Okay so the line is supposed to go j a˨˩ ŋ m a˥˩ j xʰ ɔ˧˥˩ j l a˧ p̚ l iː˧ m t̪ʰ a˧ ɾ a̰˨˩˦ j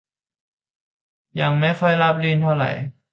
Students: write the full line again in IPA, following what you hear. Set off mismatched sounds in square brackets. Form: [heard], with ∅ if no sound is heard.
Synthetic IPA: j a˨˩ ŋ m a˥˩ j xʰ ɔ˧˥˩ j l [a˦˥] p̚ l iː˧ [n] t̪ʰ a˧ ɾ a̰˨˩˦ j

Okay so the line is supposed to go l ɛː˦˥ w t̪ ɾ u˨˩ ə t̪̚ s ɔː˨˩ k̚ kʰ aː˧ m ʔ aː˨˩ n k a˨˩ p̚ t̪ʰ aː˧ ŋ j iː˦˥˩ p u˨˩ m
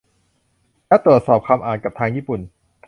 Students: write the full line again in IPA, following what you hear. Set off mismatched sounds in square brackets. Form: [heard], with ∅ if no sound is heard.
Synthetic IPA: l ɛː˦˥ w t̪ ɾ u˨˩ ə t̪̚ s ɔː˨˩ [p̚] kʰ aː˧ m ʔ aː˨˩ n k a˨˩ p̚ t̪ʰ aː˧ ŋ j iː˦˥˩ p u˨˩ [n]

